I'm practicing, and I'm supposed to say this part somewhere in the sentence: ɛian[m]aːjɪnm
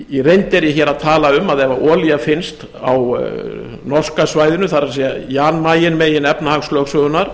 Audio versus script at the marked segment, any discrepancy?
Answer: no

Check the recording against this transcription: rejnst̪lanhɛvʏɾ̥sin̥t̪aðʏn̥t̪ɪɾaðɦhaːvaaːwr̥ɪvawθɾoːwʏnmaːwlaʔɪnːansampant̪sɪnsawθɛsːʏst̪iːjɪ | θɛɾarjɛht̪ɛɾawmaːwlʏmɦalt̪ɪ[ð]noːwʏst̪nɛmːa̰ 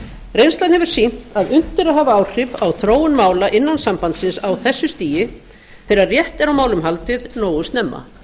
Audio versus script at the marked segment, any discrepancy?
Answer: no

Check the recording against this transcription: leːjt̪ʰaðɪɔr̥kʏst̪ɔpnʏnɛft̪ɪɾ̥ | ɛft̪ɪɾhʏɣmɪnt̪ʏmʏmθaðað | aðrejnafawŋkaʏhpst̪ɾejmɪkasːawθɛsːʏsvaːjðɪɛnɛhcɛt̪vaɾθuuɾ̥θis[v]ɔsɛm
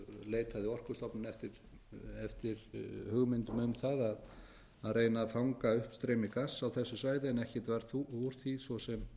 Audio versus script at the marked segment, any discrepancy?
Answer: no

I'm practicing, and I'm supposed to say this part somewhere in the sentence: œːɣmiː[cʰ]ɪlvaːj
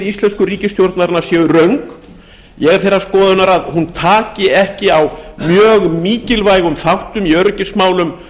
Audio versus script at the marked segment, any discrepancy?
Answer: yes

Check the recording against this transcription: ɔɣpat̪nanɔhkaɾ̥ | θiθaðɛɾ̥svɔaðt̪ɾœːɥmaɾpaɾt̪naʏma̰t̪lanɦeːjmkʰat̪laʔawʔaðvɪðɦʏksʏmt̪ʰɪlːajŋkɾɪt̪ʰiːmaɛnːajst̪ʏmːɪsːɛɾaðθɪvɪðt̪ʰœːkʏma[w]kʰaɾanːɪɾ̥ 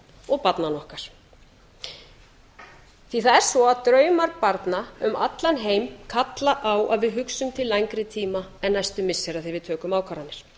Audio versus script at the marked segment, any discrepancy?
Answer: no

